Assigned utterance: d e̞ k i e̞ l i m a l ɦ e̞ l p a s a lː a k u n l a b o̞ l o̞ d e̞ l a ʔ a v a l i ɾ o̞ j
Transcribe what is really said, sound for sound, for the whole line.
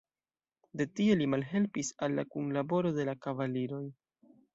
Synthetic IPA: d e̞ t i e̞ l i m a l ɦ e̞ l p i s a lː a k u n l a b o̞ ɾ o̞ d e̞ l a k a v a l i ɾ o̞ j